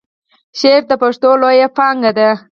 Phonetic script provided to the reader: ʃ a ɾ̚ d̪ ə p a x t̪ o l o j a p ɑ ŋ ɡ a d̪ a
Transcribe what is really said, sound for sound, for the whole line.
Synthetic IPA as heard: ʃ e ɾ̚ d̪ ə p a ʂ t̪ o l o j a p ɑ ŋ ɡ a d̪ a